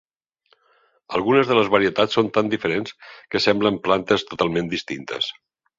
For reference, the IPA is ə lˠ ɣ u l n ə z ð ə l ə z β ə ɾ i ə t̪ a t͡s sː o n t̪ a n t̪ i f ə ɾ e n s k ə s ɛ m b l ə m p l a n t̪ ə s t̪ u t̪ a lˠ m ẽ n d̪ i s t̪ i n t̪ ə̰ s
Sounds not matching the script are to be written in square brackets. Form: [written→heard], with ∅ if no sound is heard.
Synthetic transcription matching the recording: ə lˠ ɣ u [l→∅] n ə z ð ə l ə z β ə ɾ i ə t̪ a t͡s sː o n t̪ a n [t̪→d̪] i f ə ɾ e n s k ə s ɛ m b l ə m p l a n t̪ ə s t̪ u t̪ a lˠ m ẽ n d̪ i s t̪ i n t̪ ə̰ s